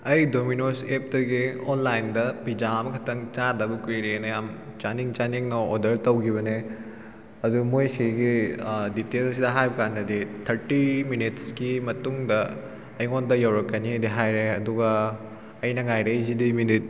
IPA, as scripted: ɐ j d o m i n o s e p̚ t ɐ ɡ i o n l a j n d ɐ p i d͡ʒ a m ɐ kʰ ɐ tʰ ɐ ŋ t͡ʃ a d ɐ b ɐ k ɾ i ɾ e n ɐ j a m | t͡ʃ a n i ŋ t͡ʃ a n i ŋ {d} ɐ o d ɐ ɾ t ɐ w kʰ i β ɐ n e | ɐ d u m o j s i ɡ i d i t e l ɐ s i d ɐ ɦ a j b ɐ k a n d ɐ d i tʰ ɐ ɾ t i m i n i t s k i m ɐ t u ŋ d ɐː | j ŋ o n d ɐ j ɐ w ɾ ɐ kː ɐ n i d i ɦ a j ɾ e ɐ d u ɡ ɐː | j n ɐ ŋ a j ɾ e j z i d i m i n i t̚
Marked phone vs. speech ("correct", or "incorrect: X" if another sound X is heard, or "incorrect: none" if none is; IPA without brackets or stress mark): incorrect: n